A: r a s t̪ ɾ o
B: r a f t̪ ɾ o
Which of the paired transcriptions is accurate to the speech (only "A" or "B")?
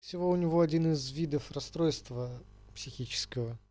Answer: A